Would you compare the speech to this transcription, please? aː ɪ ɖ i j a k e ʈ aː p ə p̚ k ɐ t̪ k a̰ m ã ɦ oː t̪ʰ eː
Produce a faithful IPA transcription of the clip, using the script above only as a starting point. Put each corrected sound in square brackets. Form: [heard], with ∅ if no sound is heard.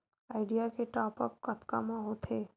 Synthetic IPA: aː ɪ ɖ i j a k e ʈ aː p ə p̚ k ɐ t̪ k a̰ m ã ɦ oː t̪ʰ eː

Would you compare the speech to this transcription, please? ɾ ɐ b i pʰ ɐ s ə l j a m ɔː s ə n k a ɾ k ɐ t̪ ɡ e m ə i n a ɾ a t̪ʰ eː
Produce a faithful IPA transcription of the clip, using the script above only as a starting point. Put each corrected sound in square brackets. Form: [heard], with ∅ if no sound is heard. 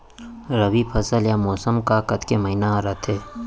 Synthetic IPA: ɾ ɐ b i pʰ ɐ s ə l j a m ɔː s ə [m] k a [∅] k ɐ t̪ [k] e m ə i n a ɾ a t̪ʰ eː

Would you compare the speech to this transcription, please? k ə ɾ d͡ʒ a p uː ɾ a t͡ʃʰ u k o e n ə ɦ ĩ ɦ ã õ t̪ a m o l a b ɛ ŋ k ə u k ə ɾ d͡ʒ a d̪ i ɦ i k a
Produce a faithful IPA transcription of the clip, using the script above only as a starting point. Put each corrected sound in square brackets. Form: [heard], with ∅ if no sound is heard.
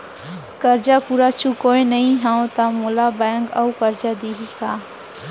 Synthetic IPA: k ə ɾ d͡ʒ a p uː ɾ a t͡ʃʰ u k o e n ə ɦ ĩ ɦ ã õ t̪ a m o l a b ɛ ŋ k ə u k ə ɾ d͡ʒ a d̪ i ɦ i k a

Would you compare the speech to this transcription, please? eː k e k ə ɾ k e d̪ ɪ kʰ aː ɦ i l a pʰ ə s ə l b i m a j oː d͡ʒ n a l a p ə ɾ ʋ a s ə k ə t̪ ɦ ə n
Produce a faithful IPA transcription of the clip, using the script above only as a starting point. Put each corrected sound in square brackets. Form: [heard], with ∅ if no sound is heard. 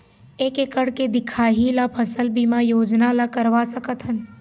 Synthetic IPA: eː k e k ə [ɽ] k e d̪ ɪ kʰ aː ɦ i l a pʰ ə s ə l b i m a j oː d͡ʒ n a l a [k] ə ɾ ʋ a s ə k ə t̪ ɦ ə n

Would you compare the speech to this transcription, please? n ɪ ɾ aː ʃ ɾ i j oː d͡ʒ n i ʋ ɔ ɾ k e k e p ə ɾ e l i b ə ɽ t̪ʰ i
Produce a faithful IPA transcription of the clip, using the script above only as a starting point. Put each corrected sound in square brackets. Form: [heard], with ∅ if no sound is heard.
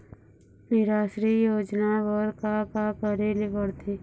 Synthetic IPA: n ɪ ɾ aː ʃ ɾ i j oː d͡ʒ n [a] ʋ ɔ ɾ k [a] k [a] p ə ɾ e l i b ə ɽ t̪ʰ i

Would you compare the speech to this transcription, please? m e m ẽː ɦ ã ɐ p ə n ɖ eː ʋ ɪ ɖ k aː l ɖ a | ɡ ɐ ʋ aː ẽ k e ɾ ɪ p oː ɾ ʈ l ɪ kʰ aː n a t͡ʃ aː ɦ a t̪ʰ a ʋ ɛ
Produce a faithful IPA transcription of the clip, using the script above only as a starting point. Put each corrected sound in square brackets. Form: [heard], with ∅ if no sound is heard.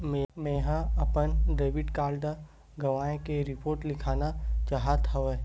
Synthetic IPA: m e m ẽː ɦ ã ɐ p ə n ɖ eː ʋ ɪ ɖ k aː l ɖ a | ɡ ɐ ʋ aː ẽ k e ɾ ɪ p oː ɾ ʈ l ɪ kʰ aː n a t͡ʃ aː ɦ a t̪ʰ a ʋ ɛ

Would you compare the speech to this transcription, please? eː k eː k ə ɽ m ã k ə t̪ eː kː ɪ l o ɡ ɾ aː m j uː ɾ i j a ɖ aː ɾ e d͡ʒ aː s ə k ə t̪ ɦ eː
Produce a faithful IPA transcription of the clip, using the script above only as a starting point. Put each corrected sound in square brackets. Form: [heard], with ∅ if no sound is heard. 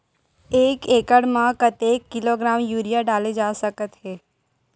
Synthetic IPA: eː k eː k ə ɽ m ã k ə t̪ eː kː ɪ l o ɡ ɾ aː m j uː ɾ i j a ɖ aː [l] e d͡ʒ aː s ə k ə t̪ ɦ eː

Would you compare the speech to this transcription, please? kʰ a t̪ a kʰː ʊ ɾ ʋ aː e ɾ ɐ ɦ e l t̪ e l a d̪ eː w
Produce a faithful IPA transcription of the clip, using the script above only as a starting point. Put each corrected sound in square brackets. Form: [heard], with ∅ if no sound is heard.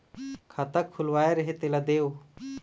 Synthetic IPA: kʰ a t̪ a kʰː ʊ [l] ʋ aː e ɾ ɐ ɦ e [∅] t̪ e l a d̪ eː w

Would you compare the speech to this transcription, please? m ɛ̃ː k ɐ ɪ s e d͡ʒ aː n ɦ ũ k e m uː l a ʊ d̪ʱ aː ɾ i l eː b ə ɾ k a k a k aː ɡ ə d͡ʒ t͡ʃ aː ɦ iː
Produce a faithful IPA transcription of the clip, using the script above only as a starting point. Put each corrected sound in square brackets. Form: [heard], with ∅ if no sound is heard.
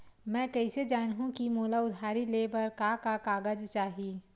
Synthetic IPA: m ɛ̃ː k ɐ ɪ s e d͡ʒ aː n ɦ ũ k [i] m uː l a ʊ d̪ʱ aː ɾ i l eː b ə ɾ k a k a k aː ɡ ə d͡ʒ t͡ʃ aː ɦ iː

